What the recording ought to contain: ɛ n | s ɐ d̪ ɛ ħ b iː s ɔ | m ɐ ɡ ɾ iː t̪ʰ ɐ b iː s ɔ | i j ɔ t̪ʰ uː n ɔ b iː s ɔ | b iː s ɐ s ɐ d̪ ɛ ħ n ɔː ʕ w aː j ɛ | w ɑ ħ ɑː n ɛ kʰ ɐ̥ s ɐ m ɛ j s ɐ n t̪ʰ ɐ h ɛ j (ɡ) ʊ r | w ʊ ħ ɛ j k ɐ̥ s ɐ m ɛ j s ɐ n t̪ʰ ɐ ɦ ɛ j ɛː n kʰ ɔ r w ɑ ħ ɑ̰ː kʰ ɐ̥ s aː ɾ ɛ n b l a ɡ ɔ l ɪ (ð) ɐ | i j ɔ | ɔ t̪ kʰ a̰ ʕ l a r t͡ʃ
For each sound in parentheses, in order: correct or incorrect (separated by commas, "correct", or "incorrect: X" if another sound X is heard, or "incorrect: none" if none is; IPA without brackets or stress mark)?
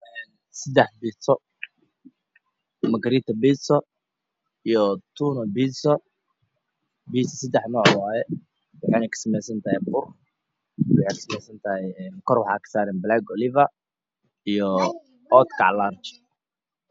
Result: incorrect: b, incorrect: v